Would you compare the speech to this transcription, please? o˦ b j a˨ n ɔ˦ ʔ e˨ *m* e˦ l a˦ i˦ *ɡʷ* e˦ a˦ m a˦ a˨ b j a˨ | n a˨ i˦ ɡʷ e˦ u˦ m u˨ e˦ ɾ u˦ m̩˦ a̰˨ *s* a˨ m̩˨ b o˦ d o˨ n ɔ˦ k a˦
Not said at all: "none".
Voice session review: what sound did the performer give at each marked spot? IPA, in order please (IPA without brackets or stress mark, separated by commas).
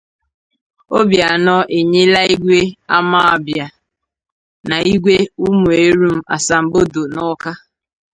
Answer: ɲ, ɡʷ, s